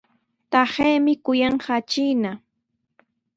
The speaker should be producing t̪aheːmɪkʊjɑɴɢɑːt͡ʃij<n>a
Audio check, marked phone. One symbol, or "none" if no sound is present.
n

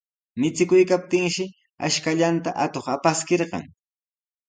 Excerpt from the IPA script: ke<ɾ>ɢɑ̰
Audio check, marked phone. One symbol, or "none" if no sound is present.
ɾ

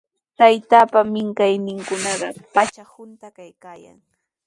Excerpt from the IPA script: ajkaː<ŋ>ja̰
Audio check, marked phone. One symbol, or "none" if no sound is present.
none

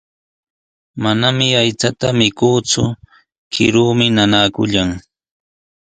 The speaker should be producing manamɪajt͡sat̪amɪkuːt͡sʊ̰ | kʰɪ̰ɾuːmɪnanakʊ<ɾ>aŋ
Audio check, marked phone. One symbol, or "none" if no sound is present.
ʎ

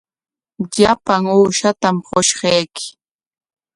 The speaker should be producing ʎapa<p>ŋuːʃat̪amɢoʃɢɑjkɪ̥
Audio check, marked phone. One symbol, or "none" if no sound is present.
none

